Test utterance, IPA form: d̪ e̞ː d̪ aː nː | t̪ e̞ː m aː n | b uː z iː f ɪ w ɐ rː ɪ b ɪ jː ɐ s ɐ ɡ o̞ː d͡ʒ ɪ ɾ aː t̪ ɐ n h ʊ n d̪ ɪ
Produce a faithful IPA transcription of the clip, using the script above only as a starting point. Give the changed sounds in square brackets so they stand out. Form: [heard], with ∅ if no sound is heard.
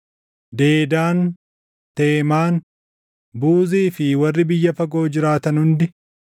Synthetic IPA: d̪ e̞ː d̪ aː [n] | t̪ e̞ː m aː n | b uː z iː f ɪ w ɐ rː ɪ b ɪ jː ɐ [f] ɐ ɡ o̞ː d͡ʒ ɪ ɾ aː t̪ ɐ n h ʊ n d̪ ɪ